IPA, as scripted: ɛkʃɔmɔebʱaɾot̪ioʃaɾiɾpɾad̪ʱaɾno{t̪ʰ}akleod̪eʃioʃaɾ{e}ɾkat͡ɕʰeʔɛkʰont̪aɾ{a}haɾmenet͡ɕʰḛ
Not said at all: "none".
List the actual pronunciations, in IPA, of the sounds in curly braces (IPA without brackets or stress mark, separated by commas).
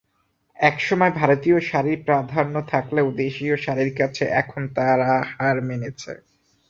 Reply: t̪ʰ, i, a